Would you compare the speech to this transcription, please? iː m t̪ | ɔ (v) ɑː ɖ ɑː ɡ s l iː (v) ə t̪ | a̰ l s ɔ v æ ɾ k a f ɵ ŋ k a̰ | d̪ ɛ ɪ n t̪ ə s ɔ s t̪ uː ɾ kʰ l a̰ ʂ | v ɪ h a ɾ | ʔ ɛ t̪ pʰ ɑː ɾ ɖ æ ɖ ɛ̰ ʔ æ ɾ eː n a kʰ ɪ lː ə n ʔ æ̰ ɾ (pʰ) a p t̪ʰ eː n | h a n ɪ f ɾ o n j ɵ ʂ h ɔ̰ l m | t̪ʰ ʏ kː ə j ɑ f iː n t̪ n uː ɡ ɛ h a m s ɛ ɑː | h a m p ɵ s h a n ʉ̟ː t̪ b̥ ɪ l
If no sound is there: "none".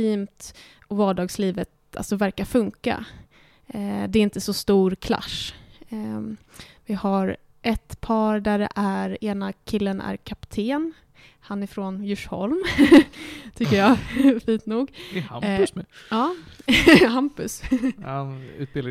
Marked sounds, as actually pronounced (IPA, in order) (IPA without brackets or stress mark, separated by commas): v, v, kʰ